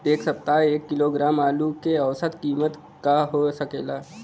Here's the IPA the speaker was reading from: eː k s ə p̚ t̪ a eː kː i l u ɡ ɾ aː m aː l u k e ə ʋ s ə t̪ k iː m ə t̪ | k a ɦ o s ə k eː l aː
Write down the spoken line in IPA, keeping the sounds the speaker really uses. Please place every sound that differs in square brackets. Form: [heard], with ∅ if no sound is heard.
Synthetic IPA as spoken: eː k s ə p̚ t̪ a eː kː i l [o] ɡ ɾ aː m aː l u k e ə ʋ s ə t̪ k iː m ə t̪ | k a ɦ o s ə k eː l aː